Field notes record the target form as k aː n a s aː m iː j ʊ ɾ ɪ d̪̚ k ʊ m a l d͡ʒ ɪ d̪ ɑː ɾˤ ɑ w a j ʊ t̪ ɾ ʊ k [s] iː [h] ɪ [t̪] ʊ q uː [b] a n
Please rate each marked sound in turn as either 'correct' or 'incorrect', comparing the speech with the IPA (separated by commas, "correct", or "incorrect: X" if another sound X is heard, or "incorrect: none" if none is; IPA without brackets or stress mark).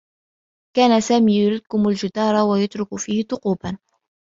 incorrect: f, correct, correct, correct